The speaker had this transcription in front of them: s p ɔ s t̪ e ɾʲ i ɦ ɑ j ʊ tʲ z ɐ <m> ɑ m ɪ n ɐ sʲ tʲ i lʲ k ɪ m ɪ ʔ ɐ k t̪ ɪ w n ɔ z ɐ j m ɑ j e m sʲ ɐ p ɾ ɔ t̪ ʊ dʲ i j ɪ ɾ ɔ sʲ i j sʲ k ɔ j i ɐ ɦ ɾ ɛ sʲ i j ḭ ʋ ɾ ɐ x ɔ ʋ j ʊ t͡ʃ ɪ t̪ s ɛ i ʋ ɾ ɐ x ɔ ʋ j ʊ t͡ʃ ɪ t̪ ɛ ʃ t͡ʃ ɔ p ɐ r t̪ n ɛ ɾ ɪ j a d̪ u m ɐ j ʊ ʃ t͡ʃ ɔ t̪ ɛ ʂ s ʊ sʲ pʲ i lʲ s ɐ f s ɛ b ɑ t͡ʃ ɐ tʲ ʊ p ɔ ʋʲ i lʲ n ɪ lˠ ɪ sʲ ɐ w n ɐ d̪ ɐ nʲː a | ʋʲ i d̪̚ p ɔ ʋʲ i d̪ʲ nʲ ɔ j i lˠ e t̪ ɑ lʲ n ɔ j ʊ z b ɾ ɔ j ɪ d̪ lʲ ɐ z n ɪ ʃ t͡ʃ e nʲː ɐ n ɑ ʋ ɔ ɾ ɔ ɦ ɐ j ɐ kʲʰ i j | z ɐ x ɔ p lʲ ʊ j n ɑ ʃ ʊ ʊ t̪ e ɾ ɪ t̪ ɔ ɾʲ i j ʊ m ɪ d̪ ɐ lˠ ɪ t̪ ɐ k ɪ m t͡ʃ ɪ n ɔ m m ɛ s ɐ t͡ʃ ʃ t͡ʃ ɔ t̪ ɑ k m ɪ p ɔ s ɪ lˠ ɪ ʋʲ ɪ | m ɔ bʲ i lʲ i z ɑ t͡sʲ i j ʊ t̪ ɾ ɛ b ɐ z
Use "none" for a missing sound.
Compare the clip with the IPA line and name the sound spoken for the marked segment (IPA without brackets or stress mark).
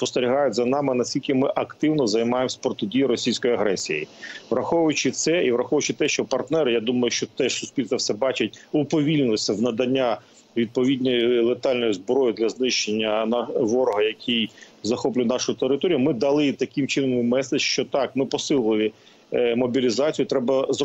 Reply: n